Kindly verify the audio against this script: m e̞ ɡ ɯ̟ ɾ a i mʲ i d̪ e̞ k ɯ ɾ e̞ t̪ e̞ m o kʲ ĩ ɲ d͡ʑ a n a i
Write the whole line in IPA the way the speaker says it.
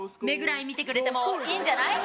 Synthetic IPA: m e̞ ɡ ɯ̟ ɾ a i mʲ i t̪ e̞ k ɯ ɾ e̞ t̪ e̞ m o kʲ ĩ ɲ d͡ʑ a n a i